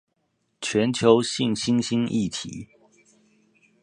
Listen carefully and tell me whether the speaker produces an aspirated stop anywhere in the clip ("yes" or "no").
yes